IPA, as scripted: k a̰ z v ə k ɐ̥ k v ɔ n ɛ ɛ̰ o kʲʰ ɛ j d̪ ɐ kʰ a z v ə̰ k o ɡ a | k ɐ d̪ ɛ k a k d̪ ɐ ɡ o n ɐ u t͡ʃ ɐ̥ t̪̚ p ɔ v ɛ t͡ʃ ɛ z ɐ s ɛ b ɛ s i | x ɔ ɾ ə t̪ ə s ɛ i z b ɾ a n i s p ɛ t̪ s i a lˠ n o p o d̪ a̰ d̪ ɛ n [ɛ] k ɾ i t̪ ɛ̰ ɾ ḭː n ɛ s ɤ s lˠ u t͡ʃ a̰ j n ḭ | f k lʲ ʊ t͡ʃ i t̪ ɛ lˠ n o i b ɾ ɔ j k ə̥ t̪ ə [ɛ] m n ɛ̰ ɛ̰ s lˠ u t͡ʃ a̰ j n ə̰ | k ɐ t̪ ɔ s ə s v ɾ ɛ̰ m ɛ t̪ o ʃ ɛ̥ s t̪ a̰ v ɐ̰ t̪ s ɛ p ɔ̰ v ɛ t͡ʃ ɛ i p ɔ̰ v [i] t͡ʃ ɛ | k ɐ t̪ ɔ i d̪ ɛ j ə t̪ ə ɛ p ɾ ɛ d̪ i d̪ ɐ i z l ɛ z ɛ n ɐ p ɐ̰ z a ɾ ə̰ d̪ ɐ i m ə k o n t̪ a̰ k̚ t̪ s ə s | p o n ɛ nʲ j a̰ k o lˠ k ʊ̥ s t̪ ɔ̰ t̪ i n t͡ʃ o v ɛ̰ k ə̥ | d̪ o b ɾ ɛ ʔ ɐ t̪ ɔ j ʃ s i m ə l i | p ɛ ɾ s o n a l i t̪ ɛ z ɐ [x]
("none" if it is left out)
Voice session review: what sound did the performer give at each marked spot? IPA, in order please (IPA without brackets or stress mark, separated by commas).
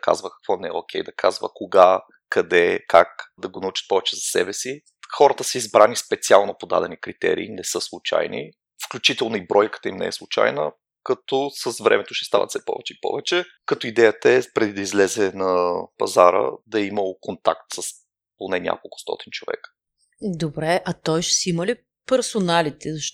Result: i, i, ɛ, ʃ